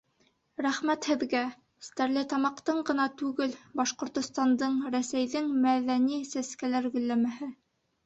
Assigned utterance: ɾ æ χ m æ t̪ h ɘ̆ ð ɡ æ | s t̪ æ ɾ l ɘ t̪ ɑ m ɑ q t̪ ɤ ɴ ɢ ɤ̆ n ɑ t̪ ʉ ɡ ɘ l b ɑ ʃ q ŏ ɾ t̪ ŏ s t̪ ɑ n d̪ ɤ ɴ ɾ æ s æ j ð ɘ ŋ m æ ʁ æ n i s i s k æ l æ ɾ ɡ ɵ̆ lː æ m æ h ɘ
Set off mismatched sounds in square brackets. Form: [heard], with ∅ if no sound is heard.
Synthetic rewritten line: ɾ æ χ m æ t̪ h ɘ̆ ð ɡ æ | s t̪ æ ɾ l ɘ t̪ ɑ m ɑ q t̪ ɤ ɴ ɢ ɤ̆ n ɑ t̪ ʉ ɡ ɘ l b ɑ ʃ q ŏ ɾ t̪ ŏ s t̪ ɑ n d̪ ɤ ɴ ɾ æ s æ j ð ɘ ŋ m æ [ð] æ n i s [æ] s k æ l æ ɾ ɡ ɵ̆ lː æ m æ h ɘ